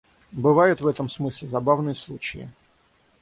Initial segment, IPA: b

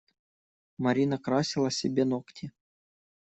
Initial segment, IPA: m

